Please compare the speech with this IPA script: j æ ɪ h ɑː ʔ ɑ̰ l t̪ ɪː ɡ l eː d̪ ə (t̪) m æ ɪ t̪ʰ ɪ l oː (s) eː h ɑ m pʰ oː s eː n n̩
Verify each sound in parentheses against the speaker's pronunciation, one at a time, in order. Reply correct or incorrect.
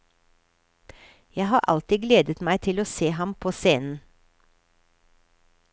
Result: correct, correct

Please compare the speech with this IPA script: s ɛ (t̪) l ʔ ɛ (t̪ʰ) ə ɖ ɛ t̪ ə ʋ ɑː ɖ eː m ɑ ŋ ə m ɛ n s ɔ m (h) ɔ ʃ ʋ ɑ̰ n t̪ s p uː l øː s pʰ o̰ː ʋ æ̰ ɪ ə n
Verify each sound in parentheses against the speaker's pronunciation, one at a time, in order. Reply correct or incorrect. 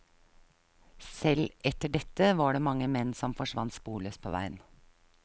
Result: incorrect: none, incorrect: t̪, incorrect: f

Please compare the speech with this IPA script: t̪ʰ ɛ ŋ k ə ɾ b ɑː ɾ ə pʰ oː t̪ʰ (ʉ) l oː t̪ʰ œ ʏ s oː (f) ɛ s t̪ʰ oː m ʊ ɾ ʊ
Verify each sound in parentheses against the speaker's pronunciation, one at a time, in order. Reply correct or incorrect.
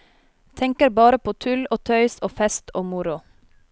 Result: correct, correct

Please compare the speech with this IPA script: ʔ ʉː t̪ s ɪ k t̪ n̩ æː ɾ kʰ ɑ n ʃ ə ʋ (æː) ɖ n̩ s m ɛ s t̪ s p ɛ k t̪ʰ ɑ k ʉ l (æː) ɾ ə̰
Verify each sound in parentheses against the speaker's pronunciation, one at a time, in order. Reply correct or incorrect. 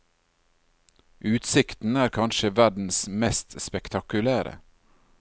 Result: incorrect: æ, correct

